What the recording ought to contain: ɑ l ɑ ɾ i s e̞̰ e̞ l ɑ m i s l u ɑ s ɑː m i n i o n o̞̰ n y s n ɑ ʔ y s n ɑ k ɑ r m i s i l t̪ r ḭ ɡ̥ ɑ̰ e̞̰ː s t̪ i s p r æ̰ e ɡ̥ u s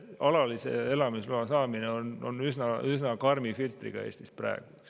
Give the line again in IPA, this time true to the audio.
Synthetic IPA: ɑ l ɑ l i s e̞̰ e̞ l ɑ m i s l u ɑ s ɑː m i n e o n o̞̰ n y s n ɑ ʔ y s n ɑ k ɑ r m i f i l t̪ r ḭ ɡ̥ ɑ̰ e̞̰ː s t̪ i s p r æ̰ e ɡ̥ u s